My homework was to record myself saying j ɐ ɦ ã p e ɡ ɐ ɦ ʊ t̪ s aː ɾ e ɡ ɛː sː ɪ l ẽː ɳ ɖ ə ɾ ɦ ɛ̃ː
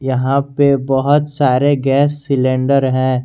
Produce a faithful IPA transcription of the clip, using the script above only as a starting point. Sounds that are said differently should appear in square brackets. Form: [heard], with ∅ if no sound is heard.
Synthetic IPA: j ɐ ɦ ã p e [b] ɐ ɦ ʊ t̪ s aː ɾ e ɡ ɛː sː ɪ l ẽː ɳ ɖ ə ɾ ɦ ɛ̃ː